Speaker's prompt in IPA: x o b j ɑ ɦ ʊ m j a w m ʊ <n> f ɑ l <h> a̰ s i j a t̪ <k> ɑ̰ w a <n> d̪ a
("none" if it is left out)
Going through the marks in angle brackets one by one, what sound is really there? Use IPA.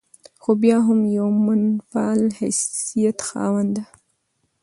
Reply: n, h, x, n

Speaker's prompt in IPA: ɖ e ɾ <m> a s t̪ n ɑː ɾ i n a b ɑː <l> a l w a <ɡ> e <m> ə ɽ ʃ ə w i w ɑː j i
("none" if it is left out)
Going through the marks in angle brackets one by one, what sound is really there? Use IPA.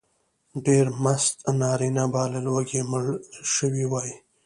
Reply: m, l, ɡ, m

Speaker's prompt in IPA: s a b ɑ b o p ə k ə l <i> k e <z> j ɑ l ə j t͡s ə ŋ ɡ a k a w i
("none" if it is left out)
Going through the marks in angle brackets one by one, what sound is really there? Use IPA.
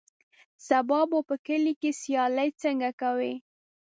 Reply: i, s

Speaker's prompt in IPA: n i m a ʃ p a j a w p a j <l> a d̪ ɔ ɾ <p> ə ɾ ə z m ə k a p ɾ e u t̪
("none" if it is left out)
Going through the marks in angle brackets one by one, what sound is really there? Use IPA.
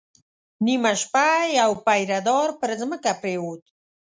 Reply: ɾ, p

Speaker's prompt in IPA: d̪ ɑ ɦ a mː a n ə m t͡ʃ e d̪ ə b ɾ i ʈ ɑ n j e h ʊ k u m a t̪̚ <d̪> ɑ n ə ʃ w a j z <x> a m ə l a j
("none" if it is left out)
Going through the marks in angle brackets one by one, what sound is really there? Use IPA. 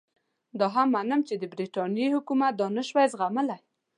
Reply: d̪, ɣ

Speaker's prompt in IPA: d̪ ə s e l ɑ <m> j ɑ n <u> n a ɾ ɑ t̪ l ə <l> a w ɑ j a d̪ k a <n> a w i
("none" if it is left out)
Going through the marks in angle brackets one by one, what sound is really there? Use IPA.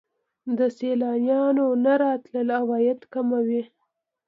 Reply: n, o, l, m

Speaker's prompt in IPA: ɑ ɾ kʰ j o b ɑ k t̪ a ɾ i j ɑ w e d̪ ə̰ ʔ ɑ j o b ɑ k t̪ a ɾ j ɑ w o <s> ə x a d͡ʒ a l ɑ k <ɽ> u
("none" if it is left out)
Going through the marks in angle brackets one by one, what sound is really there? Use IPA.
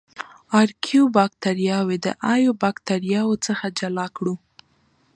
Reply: t͡s, ɽ

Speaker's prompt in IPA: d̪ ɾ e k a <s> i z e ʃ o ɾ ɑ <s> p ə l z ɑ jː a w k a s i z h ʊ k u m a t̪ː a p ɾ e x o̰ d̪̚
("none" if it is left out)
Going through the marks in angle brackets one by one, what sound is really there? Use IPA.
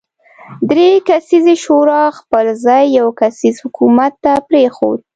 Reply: s, x

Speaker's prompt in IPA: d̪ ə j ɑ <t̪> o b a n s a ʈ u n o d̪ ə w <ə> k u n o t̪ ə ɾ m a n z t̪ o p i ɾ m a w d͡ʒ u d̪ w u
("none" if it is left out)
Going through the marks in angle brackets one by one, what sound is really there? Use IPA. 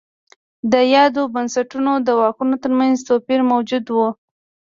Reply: d̪, ɑ

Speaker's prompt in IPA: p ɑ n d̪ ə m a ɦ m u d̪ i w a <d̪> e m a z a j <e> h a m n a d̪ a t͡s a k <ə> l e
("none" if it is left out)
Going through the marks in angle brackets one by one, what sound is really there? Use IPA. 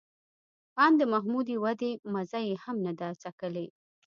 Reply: d̪, e, ə

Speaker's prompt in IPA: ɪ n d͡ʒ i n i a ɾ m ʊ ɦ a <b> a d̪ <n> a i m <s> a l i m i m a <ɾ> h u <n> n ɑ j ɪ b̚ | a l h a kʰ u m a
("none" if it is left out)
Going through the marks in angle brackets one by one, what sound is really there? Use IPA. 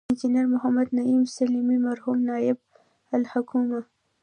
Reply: m, n, s, ɾ, m

